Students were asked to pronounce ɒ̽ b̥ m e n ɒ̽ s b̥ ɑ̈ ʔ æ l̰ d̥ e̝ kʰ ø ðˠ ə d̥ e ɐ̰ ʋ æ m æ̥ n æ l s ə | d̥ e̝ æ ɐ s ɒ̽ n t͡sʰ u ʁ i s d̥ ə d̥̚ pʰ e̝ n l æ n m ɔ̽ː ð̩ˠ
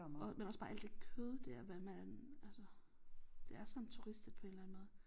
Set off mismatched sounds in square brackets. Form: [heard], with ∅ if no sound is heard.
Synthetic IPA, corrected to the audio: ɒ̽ [∅] m e n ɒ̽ s b̥ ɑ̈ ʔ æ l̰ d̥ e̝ kʰ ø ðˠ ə d̥ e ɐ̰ ʋ æ m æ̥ n æ l s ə | d̥ e̝ æ ɐ s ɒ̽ n t͡sʰ u ʁ i s d̥ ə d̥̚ pʰ e̝ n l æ n m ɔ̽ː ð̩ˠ